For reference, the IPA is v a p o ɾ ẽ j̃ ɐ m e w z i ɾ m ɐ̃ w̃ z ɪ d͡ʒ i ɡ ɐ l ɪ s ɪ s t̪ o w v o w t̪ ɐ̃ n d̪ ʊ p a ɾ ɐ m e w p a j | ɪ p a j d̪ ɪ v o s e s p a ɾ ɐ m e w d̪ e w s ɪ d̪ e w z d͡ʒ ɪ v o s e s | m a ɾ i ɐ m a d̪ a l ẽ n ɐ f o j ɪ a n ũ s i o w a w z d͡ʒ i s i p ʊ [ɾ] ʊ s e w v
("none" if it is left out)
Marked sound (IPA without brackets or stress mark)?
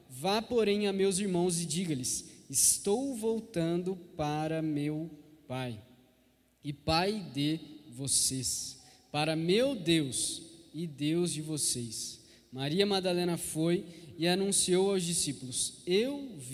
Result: l